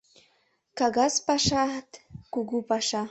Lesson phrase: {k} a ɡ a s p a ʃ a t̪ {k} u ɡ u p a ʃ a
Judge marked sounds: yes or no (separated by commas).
yes, yes